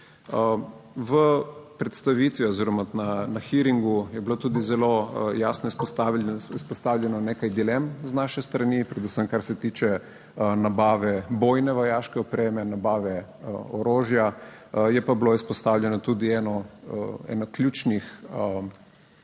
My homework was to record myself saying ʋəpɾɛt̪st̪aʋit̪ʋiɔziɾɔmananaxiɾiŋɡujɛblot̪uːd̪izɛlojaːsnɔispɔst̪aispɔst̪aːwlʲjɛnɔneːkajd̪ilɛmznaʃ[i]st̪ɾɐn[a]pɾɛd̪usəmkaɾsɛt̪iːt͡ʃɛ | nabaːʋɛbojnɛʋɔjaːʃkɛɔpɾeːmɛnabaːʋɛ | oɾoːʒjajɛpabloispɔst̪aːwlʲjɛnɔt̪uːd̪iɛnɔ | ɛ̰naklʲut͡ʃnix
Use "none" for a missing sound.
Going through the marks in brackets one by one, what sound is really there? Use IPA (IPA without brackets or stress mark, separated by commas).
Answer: ɛ, i